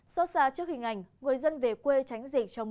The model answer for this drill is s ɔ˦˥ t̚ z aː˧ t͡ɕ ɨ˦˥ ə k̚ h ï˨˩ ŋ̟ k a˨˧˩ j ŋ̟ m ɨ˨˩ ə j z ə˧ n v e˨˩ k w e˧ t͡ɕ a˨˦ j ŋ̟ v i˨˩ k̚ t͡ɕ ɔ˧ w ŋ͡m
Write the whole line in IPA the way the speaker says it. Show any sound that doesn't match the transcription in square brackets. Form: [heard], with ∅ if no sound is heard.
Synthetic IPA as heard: s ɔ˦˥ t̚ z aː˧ t͡ɕ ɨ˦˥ ə k̚ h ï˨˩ ŋ̟ [ʔ] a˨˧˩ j ŋ̟ [ŋ] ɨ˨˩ ə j z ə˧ n v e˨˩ k w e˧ t͡ɕ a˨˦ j ŋ̟ [z] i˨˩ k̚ t͡ɕ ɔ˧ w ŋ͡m